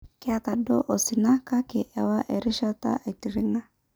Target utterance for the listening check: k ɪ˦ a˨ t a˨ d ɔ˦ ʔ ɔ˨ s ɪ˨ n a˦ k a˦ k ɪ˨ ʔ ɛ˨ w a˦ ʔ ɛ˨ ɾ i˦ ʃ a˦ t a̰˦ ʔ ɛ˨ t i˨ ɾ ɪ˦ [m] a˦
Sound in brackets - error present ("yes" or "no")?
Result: yes